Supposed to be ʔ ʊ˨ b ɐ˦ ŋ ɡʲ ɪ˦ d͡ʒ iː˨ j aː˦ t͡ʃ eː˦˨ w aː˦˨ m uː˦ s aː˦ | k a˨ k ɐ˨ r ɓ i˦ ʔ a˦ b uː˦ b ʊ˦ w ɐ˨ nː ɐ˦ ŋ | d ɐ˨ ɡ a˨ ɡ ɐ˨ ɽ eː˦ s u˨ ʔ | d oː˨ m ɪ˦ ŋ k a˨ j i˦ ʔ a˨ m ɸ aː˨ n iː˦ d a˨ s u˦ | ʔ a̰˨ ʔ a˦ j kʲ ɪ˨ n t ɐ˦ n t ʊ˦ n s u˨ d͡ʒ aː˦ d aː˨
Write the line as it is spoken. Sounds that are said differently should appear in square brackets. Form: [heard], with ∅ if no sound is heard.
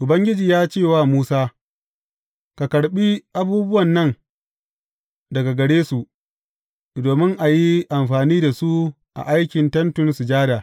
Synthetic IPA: ʔ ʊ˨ b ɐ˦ ŋ ɡʲ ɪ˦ d͡ʒ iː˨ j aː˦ t͡ʃ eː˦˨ w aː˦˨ m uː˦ s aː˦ | k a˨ k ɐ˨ [ɽ] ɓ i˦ ʔ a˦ b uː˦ b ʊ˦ w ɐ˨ nː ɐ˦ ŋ | d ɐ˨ ɡ a˨ ɡ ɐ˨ ɽ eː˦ s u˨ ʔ | d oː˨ m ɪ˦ ŋ [ʔ] a˨ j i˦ ʔ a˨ m ɸ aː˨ n iː˦ d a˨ s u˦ | ʔ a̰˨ ʔ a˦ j kʲ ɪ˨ n t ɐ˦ n t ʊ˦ n s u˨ d͡ʒ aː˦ d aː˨